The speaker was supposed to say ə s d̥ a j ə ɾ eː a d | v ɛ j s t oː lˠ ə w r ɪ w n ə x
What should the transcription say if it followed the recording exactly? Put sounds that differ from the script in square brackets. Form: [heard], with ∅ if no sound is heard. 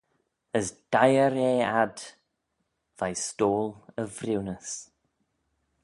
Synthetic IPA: ə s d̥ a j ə ɾ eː a d | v [a] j s t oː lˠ ə [v] r ɪ w n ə [s]